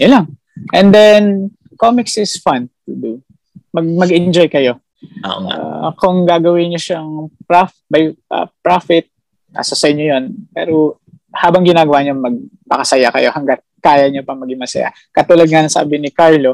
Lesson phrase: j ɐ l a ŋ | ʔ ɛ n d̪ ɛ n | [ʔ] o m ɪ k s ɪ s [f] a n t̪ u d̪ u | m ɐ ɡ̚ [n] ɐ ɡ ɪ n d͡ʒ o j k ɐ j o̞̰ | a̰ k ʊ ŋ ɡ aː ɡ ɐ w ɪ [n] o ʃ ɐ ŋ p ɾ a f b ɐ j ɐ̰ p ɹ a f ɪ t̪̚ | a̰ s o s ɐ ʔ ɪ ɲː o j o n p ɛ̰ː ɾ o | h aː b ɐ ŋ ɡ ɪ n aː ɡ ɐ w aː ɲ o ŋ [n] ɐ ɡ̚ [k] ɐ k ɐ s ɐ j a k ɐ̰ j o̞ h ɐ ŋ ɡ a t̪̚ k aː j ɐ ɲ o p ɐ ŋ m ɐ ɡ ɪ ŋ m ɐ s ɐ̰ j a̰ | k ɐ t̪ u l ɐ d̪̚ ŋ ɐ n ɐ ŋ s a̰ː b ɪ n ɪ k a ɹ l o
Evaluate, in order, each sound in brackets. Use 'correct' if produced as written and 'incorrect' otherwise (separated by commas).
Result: incorrect, correct, incorrect, incorrect, incorrect, incorrect